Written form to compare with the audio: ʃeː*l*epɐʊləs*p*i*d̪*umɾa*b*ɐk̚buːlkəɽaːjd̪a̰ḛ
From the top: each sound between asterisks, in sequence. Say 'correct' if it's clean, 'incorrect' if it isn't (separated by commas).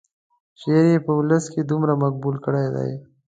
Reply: incorrect, incorrect, correct, incorrect